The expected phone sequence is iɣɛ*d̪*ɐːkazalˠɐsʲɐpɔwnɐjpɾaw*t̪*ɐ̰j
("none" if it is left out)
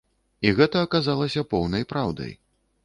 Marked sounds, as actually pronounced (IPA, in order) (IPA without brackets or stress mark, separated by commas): t̪, d̪